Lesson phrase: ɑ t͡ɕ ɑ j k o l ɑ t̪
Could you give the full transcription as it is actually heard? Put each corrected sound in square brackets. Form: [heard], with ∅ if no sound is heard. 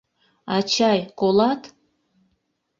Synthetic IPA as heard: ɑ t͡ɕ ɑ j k o l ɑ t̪